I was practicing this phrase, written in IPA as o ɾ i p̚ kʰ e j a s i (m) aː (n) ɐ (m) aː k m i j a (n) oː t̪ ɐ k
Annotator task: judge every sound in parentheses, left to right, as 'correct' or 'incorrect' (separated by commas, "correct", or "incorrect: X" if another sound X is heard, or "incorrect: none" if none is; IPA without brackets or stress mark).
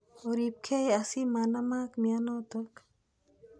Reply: correct, correct, correct, correct